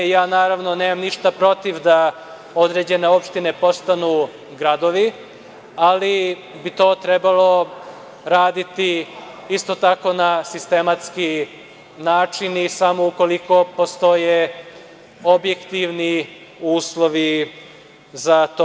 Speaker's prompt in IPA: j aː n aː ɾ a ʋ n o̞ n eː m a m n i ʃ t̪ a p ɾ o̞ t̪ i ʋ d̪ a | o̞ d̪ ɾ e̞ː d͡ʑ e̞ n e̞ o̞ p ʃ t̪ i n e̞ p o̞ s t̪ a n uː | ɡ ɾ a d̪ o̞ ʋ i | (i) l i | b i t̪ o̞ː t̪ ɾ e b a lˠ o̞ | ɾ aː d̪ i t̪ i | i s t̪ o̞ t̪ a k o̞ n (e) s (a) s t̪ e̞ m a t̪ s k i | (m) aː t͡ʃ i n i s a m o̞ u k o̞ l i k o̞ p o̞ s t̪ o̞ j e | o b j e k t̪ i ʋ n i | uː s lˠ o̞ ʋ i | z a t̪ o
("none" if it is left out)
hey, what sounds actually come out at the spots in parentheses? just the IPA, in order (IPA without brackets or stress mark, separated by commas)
a, a, i, n